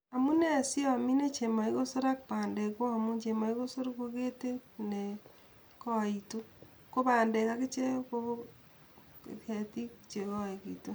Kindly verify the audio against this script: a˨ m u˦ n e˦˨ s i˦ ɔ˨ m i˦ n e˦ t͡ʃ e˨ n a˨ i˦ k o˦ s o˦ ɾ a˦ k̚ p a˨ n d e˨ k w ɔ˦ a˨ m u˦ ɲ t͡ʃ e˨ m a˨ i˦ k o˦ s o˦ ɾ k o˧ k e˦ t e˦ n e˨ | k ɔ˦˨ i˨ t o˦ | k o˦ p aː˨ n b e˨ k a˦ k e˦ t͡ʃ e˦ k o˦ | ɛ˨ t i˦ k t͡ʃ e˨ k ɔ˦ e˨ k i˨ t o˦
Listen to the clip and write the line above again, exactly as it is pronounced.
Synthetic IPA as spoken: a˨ m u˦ n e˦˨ s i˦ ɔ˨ m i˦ n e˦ t͡ʃ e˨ m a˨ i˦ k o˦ s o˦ ɾ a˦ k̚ p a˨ n d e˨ k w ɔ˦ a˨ m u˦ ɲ t͡ʃ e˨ m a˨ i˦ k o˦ s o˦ ɾ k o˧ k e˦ t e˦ n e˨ | k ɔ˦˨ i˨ t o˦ | k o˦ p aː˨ n d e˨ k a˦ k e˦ t͡ʃ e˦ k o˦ | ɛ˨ t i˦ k t͡ʃ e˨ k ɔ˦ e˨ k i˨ t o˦